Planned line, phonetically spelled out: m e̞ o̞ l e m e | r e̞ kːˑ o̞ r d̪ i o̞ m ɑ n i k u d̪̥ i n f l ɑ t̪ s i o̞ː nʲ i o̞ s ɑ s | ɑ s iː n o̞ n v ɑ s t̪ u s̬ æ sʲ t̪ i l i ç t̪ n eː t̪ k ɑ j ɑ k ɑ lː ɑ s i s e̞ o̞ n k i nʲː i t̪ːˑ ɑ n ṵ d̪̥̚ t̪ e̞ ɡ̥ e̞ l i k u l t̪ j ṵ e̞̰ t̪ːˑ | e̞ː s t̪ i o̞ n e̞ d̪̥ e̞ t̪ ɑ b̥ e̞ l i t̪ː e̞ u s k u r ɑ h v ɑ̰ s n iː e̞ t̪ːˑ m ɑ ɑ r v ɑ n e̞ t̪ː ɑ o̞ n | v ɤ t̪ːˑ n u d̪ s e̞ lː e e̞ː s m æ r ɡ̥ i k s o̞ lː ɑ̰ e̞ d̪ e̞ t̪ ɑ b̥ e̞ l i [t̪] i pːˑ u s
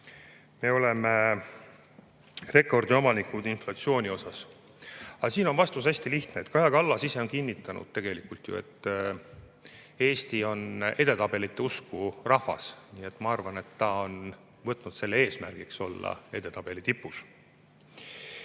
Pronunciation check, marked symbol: correct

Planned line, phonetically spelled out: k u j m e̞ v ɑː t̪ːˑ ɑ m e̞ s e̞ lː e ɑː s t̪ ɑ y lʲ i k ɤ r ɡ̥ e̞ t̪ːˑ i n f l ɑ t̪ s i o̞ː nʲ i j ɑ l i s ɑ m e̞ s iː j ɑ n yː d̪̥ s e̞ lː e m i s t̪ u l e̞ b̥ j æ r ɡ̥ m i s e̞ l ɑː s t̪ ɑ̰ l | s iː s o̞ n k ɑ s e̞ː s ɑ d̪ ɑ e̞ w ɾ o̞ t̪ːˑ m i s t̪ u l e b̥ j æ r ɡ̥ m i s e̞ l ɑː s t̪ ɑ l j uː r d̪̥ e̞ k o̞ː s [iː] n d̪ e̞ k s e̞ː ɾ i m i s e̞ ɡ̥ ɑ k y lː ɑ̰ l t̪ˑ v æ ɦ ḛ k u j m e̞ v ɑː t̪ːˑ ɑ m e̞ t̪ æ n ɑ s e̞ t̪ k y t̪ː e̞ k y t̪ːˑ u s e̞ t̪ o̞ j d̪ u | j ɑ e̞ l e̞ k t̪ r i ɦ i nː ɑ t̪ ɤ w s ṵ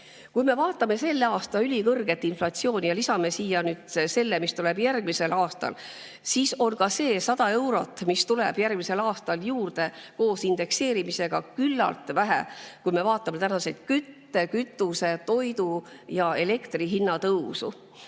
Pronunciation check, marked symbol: incorrect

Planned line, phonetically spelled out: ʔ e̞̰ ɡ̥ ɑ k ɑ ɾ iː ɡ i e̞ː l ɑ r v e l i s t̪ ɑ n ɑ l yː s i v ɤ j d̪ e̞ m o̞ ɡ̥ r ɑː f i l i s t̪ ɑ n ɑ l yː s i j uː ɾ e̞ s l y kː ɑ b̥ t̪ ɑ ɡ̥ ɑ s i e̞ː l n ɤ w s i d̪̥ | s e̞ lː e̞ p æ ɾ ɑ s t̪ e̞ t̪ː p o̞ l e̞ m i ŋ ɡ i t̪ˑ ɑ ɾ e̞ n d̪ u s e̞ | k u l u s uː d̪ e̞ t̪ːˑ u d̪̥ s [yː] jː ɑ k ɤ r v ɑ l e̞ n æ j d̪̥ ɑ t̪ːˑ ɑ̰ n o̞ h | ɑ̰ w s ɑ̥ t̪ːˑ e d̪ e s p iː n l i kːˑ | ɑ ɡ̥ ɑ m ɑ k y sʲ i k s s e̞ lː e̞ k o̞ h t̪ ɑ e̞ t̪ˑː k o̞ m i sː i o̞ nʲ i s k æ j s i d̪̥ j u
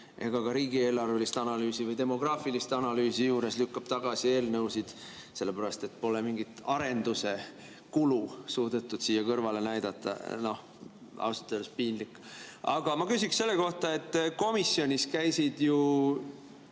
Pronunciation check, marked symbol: incorrect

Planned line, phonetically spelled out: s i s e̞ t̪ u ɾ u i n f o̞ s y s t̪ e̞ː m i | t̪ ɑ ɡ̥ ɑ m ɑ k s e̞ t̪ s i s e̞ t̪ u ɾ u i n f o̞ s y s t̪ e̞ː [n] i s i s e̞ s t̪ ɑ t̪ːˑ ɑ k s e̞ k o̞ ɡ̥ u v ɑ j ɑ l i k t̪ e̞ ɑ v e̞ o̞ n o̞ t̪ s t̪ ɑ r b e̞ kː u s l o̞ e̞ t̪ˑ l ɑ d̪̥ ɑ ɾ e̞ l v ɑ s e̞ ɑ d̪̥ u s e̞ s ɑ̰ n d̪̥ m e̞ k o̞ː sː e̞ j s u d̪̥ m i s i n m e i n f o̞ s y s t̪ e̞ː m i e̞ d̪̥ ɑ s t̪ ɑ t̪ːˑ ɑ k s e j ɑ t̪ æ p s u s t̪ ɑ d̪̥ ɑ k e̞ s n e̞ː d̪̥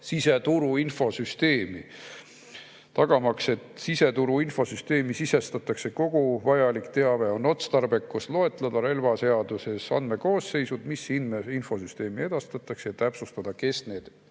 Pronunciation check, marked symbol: incorrect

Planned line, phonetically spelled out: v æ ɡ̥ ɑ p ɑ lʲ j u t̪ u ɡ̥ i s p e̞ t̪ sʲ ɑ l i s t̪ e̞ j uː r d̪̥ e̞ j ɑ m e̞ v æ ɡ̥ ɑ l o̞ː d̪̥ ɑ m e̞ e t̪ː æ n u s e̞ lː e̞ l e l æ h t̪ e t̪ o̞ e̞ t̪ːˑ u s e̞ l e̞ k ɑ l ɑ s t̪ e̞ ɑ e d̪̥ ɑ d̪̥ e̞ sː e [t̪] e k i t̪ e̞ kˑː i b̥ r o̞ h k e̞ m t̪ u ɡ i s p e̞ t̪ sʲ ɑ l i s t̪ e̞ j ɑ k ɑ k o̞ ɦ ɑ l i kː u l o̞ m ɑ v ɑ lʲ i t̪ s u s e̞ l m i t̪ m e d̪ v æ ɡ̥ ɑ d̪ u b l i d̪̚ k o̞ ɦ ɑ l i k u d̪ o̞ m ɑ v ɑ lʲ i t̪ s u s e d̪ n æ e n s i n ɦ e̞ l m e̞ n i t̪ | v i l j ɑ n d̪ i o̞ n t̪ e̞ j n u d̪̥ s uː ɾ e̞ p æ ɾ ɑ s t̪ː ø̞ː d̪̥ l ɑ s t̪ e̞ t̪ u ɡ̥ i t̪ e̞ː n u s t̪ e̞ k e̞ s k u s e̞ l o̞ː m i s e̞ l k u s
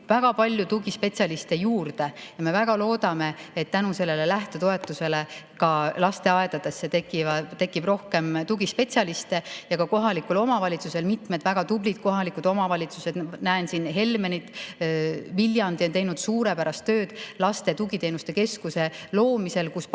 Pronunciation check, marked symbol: correct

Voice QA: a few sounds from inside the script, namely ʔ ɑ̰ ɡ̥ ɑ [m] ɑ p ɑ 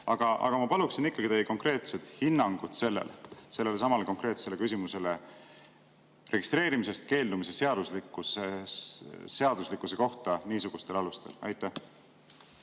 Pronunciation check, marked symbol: correct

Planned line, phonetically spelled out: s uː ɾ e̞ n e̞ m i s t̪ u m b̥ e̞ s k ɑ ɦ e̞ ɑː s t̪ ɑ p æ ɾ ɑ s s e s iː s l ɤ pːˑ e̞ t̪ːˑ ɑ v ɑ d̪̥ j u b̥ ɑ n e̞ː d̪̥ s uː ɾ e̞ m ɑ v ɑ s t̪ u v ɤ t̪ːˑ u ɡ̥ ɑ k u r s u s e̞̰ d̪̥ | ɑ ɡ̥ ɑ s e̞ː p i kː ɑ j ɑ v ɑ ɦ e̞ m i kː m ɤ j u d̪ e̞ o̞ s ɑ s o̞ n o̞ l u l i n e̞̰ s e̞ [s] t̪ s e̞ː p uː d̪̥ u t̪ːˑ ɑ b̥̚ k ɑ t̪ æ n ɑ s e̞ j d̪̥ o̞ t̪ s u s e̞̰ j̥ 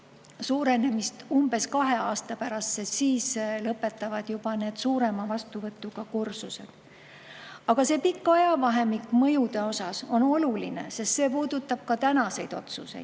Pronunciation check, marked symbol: correct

